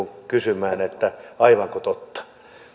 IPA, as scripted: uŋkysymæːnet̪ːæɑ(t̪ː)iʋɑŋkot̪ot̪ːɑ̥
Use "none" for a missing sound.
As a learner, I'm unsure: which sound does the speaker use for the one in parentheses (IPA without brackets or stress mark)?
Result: none